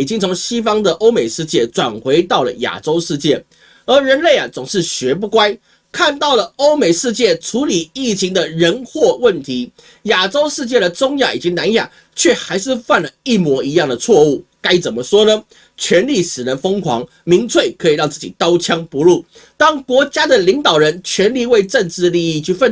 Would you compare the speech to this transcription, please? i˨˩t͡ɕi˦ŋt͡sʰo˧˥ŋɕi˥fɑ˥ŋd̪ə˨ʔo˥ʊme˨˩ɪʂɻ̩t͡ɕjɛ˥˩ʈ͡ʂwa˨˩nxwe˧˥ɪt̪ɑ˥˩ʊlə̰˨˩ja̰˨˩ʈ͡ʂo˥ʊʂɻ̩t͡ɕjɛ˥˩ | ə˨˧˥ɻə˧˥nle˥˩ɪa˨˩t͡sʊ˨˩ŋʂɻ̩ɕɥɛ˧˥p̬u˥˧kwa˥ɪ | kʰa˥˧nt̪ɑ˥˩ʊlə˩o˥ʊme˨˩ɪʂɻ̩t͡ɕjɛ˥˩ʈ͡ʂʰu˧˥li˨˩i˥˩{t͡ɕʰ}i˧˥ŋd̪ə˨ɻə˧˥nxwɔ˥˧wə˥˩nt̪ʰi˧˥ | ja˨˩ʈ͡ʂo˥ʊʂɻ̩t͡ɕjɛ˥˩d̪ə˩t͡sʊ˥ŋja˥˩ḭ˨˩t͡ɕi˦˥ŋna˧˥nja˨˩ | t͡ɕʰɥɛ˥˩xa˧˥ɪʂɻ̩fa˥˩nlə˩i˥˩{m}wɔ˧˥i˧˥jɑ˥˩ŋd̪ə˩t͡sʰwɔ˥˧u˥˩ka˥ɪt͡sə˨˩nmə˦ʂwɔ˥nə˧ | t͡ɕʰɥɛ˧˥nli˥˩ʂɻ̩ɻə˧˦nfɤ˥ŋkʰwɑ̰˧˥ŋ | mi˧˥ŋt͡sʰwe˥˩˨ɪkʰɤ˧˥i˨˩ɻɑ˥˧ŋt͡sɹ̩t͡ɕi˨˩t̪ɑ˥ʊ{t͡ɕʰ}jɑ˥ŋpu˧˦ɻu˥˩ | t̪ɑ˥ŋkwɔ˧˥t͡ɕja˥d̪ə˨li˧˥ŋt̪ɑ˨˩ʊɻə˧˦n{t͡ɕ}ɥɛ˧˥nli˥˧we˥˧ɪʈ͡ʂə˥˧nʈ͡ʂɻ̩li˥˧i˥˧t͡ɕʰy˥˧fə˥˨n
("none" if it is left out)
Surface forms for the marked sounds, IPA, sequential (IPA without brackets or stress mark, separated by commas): t͡ɕʰ, m, t͡ɕʰ, t͡ɕʰ